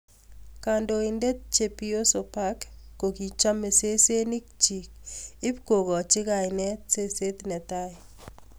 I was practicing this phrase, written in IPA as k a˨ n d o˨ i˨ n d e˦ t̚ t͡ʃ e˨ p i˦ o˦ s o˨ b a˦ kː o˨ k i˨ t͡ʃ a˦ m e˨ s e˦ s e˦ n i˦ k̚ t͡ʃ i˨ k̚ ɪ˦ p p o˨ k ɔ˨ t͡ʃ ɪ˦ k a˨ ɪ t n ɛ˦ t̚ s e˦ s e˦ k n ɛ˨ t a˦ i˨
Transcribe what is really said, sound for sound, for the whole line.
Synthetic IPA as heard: k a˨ n d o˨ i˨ n d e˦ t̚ t͡ʃ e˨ p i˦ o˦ s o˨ p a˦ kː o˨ k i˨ t͡ʃ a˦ m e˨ s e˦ s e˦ n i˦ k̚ t͡ʃ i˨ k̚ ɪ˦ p k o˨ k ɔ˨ t͡ʃ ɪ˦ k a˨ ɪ n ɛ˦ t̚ s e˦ s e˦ t n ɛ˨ t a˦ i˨